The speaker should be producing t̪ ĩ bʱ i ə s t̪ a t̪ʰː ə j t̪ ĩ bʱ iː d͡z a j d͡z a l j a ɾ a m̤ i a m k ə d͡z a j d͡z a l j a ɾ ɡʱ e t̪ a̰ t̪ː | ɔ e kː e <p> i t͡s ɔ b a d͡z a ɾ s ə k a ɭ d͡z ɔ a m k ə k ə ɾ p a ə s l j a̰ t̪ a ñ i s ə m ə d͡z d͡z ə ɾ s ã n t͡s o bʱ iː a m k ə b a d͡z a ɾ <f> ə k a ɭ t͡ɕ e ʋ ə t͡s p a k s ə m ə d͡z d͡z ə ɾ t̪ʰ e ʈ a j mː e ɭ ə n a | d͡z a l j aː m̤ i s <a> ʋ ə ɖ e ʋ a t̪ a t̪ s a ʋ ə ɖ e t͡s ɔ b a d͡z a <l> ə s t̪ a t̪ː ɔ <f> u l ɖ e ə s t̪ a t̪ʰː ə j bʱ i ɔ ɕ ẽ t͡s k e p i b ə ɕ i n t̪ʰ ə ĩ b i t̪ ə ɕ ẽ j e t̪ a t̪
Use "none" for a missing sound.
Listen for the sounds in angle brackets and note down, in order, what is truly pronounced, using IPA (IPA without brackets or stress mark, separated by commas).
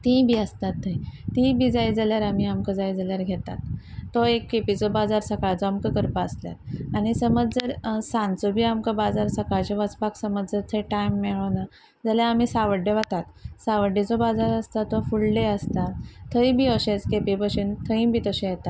p, s, a, ɾ, f